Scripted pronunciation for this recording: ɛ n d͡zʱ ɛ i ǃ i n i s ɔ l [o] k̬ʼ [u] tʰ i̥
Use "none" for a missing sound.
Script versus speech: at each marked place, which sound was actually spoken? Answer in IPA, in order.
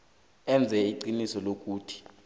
o, uː

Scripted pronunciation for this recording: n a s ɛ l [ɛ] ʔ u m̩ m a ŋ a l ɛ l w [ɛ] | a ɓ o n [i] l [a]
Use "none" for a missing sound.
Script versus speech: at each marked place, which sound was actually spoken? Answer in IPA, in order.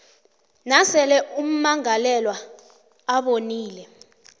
ɛ, a, iː, ɛ

